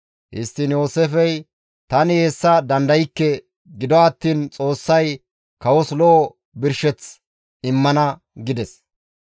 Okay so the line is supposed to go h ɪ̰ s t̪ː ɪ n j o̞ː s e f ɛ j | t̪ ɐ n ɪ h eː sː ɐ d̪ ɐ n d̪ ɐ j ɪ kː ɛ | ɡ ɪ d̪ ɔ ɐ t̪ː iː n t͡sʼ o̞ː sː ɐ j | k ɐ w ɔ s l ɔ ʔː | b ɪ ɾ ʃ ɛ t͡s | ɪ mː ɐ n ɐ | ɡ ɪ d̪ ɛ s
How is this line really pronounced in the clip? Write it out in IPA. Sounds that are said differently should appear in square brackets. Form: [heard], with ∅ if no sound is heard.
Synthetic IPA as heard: h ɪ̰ s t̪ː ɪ n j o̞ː s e f ɛ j | t̪ ɐ n ɪ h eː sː ɐ d̪ ɐ n d̪ ɐ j ɪ kː ɛ | ɡ ɪ d̪ ɔ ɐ t̪ː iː n t͡sʼ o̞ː sː ɐ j | k ɐ w ɔ s l ɔ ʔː | b ɪ ɾ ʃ ɛ t͡s | ɪ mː ɐ n ɐ | ɡ ɪ d̪ ɛ s